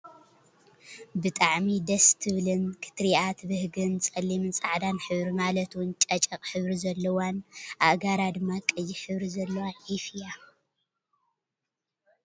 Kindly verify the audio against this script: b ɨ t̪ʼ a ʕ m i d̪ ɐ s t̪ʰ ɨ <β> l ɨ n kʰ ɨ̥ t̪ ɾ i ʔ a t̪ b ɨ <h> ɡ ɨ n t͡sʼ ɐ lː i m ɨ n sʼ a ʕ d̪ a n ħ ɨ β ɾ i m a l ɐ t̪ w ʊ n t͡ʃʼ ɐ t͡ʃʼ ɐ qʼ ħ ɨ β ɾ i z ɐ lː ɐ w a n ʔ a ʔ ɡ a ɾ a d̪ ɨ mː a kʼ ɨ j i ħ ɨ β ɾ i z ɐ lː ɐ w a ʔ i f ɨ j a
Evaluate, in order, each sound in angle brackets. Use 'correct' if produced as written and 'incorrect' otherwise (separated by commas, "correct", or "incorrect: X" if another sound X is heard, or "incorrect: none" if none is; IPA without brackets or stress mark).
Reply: correct, correct